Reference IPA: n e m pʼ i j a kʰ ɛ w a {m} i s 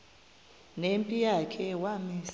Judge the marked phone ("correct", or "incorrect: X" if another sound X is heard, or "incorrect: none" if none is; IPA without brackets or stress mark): correct